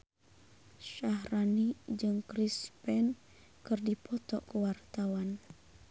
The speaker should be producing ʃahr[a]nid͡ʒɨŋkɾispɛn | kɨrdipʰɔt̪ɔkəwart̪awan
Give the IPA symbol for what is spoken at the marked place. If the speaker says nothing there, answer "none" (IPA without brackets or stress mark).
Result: a